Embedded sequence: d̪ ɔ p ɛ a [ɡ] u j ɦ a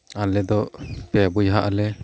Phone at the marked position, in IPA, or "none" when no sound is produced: b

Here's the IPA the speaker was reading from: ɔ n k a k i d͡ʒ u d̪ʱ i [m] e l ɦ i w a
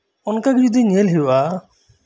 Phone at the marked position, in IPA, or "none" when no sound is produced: ɲ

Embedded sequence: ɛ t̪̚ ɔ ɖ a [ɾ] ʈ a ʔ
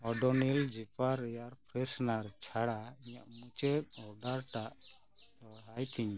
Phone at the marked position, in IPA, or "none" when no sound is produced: ɾ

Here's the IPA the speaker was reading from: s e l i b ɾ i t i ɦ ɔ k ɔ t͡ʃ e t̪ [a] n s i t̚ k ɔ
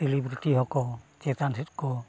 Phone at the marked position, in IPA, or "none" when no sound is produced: a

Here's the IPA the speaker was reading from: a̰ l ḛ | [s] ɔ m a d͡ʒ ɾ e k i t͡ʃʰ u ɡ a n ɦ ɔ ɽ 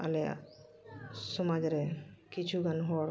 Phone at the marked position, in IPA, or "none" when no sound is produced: s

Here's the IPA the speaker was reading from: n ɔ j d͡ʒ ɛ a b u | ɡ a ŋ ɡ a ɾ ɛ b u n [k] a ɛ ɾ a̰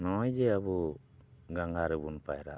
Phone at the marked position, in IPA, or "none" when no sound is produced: p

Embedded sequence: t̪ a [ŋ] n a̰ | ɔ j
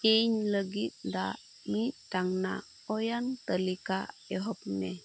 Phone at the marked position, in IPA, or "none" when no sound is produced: ŋ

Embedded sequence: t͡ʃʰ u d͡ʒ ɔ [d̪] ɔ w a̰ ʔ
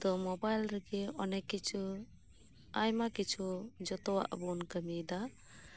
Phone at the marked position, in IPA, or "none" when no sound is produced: t̪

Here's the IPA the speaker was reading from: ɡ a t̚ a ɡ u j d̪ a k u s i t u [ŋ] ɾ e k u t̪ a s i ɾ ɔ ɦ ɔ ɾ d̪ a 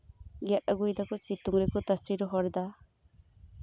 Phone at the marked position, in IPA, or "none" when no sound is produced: ŋ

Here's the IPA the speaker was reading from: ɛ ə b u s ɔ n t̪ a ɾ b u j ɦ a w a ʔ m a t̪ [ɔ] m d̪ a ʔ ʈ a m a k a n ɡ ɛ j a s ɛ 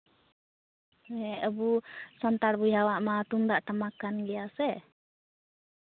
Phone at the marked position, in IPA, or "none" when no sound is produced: u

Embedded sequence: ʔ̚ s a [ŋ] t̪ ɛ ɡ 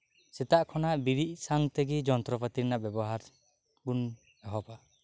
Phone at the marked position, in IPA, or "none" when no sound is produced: ŋ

